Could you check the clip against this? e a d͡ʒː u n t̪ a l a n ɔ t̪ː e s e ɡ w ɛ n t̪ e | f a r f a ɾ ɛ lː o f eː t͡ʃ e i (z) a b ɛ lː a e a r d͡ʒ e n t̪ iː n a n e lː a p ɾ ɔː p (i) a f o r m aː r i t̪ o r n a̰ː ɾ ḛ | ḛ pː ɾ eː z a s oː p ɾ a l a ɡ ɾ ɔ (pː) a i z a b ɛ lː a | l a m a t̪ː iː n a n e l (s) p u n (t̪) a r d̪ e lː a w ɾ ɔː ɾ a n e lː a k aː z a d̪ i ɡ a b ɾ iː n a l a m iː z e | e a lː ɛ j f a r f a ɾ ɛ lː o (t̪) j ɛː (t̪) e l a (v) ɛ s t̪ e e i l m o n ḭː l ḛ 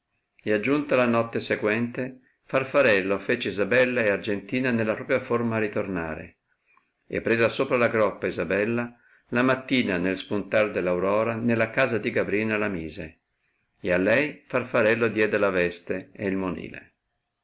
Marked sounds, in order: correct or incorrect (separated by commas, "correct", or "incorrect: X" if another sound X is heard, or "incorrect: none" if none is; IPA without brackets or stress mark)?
correct, incorrect: j, correct, correct, correct, incorrect: d̪, incorrect: d̪, correct